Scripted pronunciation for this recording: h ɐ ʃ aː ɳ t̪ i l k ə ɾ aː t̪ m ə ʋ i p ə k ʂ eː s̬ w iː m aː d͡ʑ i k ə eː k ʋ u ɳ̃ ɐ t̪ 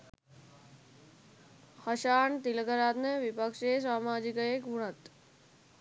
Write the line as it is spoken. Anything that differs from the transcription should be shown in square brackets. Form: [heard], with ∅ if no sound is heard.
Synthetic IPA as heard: h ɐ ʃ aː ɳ t̪ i l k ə ɾ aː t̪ [n] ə ʋ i p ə k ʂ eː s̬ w [aː] m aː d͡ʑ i k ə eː k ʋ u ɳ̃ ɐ t̪